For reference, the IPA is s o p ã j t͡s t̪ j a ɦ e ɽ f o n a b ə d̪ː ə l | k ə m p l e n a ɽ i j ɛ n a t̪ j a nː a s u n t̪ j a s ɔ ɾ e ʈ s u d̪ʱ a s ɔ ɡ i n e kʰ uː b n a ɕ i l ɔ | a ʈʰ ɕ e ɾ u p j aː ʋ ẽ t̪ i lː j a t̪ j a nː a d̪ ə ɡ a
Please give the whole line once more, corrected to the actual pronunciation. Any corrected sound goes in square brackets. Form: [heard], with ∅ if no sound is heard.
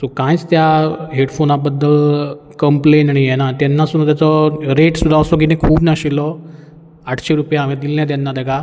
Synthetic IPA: s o [k] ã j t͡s t̪ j a ɦ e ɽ f o n a b ə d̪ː ə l | k ə m p l e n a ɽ i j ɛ n a t̪ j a nː a s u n t̪ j a [t͡s] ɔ ɾ e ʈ s u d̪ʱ a s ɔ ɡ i n e kʰ uː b n a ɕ i l ɔ | a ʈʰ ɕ e ɾ u p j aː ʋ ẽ [d̪] i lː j a t̪ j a nː a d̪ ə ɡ a